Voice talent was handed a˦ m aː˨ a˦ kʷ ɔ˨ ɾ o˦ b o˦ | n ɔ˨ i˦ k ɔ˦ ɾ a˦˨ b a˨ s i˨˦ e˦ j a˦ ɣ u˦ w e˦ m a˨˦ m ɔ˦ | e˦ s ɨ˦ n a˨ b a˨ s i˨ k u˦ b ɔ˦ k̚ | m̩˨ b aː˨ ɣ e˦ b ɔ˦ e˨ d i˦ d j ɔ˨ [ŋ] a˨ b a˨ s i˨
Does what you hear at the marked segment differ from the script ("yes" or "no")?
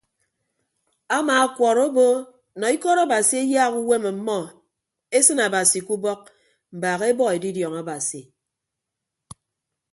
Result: no